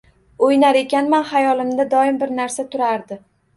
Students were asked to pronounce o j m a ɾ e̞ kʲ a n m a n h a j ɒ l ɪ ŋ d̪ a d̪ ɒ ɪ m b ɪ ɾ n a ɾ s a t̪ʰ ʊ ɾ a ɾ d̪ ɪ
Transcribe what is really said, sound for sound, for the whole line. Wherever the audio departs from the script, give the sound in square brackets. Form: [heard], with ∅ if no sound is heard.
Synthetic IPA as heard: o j [n] a ɾ e̞ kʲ a n m a n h a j ɒ l ɪ [m] d̪ a d̪ ɒ ɪ m b ɪ ɾ n a ɾ s a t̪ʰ ʊ ɾ a ɾ d̪ ɪ

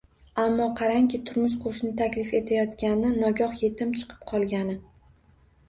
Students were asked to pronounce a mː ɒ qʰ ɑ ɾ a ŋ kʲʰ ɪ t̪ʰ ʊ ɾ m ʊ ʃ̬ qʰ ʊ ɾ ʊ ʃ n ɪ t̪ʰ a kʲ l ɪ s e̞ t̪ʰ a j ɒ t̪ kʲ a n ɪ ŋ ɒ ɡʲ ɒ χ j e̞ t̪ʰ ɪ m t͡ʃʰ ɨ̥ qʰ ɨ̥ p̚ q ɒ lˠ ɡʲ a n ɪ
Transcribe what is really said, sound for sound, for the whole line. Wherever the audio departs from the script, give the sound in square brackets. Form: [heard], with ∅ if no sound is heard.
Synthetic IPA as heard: a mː ɒ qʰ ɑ ɾ a ŋ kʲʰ ɪ t̪ʰ ʊ ɾ m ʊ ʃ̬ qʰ ʊ ɾ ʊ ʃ n ɪ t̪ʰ a kʲ l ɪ [f] e̞ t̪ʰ a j ɒ t̪ kʲ a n ɪ [n] ɒ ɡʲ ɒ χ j e̞ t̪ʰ ɪ m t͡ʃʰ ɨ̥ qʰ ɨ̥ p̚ [qʰ] ɒ lˠ ɡʲ a n ɪ

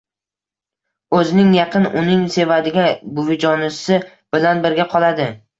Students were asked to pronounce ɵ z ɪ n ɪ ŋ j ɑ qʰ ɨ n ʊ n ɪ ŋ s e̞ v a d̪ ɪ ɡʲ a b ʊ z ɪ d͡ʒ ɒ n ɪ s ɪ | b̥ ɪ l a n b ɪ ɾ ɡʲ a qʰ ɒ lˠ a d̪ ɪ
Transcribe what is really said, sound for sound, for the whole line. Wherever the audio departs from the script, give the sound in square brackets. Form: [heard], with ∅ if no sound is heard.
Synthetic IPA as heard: ɵ z ɪ n ɪ ŋ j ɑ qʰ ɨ n ʊ n ɪ ŋ s e̞ v a d̪ ɪ ɡʲ a b ʊ [v] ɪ d͡ʒ ɒ n ɪ s ɪ | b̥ ɪ l a n b ɪ ɾ ɡʲ a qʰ ɒ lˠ a d̪ ɪ

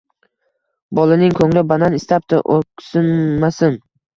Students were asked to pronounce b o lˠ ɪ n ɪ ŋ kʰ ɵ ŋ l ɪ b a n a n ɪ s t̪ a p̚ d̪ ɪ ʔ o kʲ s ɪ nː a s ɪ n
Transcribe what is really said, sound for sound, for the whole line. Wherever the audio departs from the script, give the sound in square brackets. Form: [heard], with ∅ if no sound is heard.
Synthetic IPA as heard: b [ɒ] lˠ ɪ n ɪ ŋ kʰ ɵ ŋ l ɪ b a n a n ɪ s t̪ a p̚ [t̪] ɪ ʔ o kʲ s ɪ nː a s ɪ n

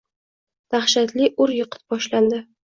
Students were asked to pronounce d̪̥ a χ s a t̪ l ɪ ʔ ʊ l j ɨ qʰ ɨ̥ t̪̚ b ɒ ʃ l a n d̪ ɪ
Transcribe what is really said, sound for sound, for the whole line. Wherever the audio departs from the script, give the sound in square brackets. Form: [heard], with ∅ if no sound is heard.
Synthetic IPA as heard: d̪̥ a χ [ʃ] a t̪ l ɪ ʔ ʊ [ɾ] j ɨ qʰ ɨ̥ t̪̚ b ɒ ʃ l a n d̪ ɪ

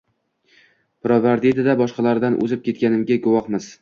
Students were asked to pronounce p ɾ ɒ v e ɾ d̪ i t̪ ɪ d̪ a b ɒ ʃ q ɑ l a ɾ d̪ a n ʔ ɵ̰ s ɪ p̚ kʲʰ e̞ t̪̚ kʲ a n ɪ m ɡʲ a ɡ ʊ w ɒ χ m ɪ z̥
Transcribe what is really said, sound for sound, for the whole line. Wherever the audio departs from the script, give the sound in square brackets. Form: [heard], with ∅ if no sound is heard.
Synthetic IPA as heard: p ɾ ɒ v [a] ɾ d̪ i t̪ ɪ d̪ a b ɒ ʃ q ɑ l a ɾ d̪ a n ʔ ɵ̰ [z] ɪ p̚ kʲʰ e̞ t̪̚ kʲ a n ɪ m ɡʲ a ɡ ʊ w ɒ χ m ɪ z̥

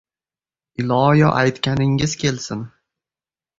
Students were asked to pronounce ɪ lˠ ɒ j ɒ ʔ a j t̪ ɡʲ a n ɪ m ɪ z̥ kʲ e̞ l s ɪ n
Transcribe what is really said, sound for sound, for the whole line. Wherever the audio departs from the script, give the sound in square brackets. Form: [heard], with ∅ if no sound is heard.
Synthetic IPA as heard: ɪ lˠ ɒ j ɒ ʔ a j t̪ [kʲ] a n ɪ [ŋ] ɪ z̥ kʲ e̞ l s ɪ n

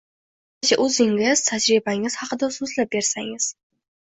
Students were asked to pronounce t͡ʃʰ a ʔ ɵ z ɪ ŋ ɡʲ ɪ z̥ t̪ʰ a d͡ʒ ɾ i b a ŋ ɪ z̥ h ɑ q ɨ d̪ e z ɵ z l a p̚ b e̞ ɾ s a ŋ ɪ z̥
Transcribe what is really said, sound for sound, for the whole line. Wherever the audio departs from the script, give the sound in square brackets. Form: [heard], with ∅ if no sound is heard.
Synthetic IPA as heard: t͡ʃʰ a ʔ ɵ z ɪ ŋ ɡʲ ɪ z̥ t̪ʰ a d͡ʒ ɾ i b a ŋ ɪ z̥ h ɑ q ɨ d̪ [a] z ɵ z l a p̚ b e̞ ɾ s a ŋ ɪ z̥

